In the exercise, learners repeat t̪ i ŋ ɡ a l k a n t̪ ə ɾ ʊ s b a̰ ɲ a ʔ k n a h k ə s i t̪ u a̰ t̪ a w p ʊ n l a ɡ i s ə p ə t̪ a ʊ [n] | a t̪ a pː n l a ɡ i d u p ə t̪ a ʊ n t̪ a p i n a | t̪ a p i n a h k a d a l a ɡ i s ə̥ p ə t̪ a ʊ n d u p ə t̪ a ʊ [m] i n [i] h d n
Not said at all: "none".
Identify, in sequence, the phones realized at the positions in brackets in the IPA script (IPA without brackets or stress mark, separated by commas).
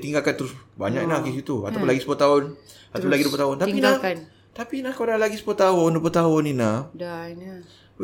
n, n, a